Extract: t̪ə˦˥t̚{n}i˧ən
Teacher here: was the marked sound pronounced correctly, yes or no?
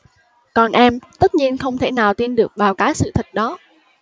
no